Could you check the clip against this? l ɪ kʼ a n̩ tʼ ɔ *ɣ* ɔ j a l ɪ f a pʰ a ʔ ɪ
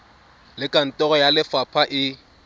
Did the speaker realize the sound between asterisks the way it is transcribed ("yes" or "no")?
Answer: yes